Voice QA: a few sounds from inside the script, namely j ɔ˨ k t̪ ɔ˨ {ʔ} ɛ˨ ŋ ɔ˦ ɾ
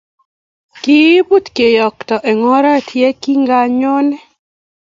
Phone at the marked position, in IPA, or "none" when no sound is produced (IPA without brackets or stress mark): ʔ